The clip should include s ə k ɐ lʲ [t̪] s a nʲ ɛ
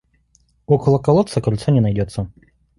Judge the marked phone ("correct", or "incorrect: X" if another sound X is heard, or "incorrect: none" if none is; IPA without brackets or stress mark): correct